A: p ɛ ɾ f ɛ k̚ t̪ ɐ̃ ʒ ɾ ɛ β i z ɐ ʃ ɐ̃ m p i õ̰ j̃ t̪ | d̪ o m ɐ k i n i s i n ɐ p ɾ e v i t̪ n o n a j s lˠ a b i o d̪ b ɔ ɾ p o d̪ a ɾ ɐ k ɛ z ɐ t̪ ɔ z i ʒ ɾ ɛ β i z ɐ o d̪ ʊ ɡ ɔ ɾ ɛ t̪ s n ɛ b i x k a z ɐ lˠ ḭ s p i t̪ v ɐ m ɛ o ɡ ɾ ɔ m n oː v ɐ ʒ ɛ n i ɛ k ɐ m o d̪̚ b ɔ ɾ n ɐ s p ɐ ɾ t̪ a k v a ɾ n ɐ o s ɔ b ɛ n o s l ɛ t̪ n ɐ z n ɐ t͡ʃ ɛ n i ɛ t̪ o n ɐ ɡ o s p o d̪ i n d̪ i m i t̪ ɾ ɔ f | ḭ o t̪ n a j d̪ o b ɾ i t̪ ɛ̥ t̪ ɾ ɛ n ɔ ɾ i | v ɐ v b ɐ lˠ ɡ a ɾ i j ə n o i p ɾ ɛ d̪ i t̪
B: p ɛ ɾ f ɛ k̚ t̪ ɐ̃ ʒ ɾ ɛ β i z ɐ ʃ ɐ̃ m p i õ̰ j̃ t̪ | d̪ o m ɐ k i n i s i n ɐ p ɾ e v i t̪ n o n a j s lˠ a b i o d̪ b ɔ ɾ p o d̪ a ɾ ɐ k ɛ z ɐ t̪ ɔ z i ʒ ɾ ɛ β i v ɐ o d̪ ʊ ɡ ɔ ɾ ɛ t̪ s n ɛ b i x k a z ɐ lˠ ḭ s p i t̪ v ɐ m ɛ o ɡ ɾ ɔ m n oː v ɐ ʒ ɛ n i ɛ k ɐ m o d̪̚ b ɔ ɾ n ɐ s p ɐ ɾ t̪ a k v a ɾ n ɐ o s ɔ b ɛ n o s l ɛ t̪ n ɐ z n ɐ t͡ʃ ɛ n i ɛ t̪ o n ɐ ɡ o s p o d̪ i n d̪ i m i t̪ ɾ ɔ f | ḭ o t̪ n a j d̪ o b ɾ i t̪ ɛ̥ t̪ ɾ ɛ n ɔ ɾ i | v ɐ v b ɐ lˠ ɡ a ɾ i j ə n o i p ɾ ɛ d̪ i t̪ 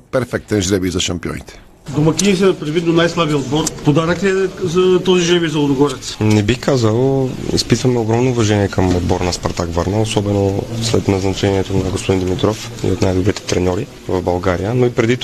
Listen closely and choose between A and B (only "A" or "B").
A